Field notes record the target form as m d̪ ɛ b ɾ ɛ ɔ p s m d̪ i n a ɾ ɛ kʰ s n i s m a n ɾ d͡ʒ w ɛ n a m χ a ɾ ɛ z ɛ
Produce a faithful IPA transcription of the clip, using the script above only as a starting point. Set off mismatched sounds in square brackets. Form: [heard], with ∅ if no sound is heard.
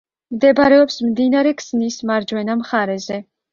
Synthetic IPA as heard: m d̪ ɛ b ɾ ɛ ɔ p s m d̪ i n a ɾ ɛ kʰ s n i s m a [∅] ɾ d͡ʒ w ɛ n a m χ a ɾ ɛ z ɛ